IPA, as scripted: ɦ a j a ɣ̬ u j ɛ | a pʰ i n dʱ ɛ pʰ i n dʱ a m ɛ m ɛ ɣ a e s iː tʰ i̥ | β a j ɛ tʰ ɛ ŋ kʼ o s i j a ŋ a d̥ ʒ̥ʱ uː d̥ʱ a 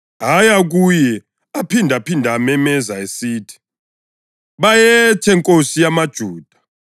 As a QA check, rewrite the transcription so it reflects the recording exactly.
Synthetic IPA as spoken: ɦ a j a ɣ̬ u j ɛ | a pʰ i n dʱ a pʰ i n dʱ a m ɛ m ɛ z a e s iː tʰ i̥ | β a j ɛ tʰ ɛ ŋ kʼ o s i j a m a d̥ ʒ̥ʱ uː d̥ʱ a